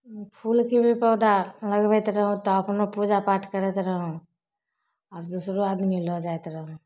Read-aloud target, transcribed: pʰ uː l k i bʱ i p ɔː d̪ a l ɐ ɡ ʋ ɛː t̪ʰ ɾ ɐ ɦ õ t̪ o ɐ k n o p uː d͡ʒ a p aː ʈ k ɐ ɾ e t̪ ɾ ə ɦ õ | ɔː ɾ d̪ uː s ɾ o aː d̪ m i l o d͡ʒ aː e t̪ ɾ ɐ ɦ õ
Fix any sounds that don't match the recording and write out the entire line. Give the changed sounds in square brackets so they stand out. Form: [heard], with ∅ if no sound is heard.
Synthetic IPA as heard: pʰ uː l k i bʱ i p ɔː d̪ a l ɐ ɡ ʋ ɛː [t̪] ɾ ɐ ɦ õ t̪ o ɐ [p] n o p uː d͡ʒ a p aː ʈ k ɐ ɾ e t̪ ɾ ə ɦ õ | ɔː ɾ d̪ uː s ɾ o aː d̪ m i l o d͡ʒ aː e t̪ ɾ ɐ ɦ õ